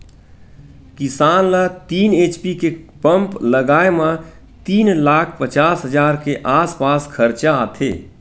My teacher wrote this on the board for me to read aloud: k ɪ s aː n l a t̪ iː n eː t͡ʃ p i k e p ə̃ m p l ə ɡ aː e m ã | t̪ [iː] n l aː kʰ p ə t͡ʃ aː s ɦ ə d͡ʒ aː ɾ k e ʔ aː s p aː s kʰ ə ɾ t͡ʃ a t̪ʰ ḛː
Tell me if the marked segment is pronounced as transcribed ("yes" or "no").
yes